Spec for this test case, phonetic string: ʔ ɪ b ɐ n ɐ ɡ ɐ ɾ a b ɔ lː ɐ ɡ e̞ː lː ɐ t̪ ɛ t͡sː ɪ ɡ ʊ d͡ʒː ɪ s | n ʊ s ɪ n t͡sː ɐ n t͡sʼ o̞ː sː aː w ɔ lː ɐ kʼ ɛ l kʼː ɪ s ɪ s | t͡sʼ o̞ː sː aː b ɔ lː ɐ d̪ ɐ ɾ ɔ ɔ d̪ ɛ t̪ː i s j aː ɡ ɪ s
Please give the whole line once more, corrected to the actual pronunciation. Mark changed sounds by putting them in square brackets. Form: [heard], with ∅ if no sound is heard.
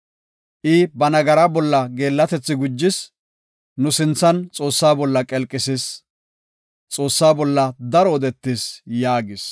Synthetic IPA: ʔ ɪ b ɐ n ɐ ɡ ɐ ɾ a b ɔ lː ɐ ɡ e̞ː lː ɐ t̪ ɛ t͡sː ɪ ɡ ʊ d͡ʒː ɪ s | n ʊ s ɪ n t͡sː ɐ n t͡sʼ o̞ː sː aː [b] ɔ lː ɐ kʼ ɛ l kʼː ɪ s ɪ s | t͡sʼ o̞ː sː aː b ɔ lː ɐ d̪ ɐ ɾ ɔ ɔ d̪ ɛ t̪ː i s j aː ɡ ɪ s